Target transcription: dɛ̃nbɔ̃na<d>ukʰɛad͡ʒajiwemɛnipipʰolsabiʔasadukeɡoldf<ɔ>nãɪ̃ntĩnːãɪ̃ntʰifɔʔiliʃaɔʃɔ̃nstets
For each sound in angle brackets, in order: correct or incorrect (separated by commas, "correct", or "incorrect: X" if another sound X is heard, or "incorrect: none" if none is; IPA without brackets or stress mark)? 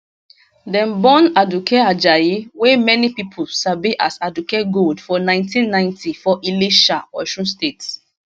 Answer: correct, correct